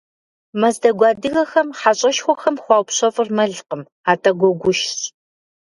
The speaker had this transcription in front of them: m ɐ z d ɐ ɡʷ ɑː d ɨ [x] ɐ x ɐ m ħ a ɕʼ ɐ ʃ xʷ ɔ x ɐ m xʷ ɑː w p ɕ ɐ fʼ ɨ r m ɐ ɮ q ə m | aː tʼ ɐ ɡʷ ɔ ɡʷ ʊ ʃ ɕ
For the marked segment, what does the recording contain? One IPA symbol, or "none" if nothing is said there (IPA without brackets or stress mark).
ɣ